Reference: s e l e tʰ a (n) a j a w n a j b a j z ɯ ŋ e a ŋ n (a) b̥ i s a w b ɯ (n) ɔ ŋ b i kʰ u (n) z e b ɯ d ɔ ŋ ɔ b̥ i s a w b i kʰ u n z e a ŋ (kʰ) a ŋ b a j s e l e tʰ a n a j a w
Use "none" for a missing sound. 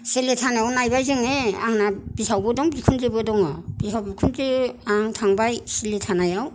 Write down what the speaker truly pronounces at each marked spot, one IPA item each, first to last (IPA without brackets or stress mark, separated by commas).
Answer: n, a, d, n, tʰ